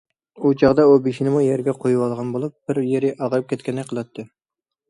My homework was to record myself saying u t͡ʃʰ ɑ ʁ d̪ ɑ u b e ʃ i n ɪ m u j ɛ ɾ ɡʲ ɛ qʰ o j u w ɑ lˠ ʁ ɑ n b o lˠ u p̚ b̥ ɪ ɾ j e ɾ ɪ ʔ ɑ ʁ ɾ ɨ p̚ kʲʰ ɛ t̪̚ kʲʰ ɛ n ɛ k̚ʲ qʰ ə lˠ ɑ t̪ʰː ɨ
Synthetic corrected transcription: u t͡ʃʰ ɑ ʁ d̪ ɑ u b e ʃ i n ɪ m u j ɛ ɾ ɡʲ ɛ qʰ o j u w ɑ lˠ ʁ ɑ n b o lˠ u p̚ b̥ ɪ ɾ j e ɾ ɪ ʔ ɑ ʁ ɾ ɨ p̚ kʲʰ ɛ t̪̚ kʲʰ ɛ n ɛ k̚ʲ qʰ ə lˠ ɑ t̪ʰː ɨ